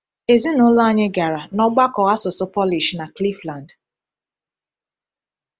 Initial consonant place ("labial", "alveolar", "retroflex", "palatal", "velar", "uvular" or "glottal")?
alveolar